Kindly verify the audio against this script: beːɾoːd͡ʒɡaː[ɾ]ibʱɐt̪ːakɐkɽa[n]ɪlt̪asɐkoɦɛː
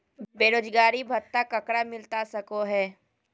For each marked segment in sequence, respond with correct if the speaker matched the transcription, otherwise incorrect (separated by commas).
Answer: correct, incorrect